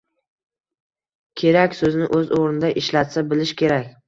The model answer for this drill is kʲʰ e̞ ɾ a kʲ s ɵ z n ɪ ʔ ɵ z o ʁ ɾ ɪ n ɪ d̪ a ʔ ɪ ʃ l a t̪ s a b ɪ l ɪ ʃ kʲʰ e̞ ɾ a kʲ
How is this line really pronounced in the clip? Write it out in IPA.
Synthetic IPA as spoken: kʲʰ e̞ ɾ a kʲ s ɵ z n ɪ ʔ ɵ z o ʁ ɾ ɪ n ɪ d̪ a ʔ ɪ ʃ l a t̪ s a b ɪ l ɪ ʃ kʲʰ e̞ ɾ a kʲ